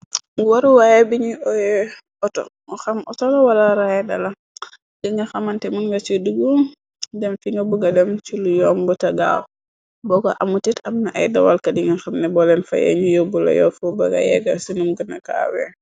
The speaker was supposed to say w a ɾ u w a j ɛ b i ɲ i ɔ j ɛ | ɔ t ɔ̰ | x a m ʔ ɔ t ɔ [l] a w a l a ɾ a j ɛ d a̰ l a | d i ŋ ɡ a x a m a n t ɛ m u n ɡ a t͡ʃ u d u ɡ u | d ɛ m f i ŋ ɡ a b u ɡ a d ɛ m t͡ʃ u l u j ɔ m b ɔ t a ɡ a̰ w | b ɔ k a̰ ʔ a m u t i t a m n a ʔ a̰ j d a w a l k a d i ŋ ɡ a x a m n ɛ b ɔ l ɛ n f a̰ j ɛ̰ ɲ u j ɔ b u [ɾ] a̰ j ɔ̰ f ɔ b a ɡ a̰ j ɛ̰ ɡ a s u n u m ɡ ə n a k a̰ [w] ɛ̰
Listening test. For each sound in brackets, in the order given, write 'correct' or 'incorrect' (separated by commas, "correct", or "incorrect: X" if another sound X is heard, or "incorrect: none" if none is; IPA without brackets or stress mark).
correct, incorrect: l, correct